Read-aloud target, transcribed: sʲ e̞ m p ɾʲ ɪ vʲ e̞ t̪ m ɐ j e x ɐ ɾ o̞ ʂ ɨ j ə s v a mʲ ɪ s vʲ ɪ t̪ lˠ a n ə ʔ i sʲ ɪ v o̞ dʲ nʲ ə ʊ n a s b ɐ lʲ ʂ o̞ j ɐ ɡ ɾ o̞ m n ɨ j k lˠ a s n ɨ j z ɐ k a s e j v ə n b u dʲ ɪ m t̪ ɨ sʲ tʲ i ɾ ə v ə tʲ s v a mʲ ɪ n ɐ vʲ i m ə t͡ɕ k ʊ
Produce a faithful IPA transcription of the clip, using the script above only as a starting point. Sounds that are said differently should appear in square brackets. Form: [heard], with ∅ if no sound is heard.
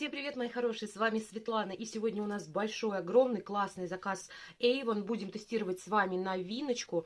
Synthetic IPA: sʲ e̞ m p ɾʲ ɪ vʲ e̞ t̪ m ɐ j [i] x ɐ ɾ o̞ ʂ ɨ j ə s v a mʲ ɪ s vʲ ɪ t̪ lˠ a n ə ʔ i sʲ ɪ v o̞ dʲ nʲ ə ʊ n a s b ɐ lʲ ʂ o̞ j ɐ ɡ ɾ o̞ m n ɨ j k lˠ a s n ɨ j z ɐ k a s e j v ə n b u dʲ ɪ m t̪ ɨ sʲ tʲ i ɾ ə v ə tʲ s v a mʲ ɪ n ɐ vʲ i [n] ə t͡ɕ k ʊ

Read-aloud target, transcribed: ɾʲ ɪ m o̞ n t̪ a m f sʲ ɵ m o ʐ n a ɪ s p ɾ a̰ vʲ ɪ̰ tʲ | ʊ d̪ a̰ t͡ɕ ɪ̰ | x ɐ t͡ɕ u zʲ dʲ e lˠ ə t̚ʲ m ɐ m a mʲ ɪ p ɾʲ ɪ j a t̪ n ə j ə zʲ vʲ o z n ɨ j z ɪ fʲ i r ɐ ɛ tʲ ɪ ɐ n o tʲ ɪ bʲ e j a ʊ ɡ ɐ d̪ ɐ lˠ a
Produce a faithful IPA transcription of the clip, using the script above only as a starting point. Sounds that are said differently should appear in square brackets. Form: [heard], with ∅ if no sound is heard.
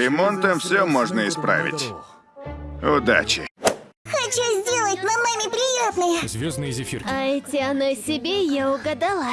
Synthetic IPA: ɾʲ ɪ m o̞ n t̪ [ə] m f sʲ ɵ m o ʐ n [ə] ɪ s p ɾ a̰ vʲ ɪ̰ tʲ | ʊ d̪ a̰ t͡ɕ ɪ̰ | x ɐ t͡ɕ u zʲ dʲ e lˠ ə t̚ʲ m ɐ m a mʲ ɪ p ɾʲ ɪ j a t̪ n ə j ə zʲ vʲ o z n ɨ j z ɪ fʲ i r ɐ ɛ tʲ ɪ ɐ n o [sʲ] ɪ bʲ e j a ʊ ɡ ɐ d̪ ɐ lˠ a

